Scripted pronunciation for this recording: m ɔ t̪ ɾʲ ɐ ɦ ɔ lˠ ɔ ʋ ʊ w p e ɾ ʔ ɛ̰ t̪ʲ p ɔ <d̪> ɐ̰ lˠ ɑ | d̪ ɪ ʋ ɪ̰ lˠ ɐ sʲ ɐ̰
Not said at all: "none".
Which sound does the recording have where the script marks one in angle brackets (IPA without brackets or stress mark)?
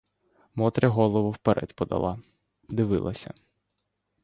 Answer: d̪